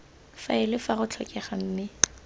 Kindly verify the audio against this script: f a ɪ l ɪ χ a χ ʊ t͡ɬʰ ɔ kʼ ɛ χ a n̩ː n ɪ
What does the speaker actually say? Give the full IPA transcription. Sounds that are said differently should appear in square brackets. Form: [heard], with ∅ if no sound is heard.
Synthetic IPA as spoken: f a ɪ l ɪ [f] a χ ʊ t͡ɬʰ ɔ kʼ ɛ χ a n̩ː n ɪ